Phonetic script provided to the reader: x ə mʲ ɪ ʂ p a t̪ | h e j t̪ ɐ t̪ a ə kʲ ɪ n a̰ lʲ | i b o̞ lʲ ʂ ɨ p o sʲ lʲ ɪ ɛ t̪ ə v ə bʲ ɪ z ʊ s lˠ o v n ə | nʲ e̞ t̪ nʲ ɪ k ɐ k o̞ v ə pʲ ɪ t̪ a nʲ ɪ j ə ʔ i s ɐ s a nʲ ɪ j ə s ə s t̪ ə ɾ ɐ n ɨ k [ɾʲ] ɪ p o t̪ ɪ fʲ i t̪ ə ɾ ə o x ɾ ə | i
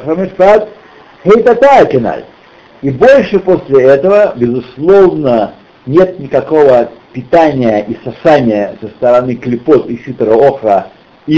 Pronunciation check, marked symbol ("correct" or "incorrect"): incorrect